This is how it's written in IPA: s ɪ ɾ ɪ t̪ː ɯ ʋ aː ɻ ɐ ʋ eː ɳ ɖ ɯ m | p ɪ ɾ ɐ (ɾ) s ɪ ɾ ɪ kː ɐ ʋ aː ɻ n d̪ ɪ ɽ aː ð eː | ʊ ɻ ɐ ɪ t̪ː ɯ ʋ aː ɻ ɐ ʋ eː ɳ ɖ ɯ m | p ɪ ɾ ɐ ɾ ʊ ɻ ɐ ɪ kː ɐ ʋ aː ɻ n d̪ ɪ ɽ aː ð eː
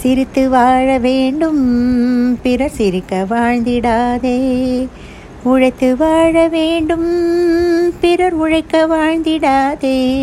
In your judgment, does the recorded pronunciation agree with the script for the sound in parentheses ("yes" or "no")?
yes